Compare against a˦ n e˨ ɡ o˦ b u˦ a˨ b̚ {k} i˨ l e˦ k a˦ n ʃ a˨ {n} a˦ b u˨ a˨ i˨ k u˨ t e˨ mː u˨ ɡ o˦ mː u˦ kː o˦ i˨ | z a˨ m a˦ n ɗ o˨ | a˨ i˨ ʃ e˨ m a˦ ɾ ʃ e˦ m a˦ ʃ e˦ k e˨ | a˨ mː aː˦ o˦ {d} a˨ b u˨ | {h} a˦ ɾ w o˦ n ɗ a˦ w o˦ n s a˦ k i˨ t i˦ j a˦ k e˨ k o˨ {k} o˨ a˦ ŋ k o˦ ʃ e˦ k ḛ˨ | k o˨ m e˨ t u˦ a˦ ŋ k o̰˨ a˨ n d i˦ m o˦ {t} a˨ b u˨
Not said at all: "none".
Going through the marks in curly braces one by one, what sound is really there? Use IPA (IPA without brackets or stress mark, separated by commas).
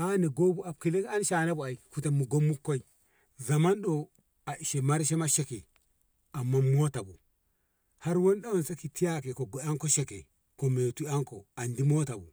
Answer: k, n, t, h, ɡ, t